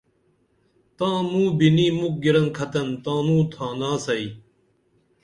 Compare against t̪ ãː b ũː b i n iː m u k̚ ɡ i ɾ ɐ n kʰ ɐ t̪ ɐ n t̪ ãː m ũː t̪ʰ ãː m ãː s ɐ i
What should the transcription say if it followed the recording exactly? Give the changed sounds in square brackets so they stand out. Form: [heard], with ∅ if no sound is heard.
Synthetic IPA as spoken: t̪ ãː [m] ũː b i n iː m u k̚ ɡ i ɾ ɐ n kʰ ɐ t̪ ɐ n t̪ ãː [n] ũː t̪ʰ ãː [n] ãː s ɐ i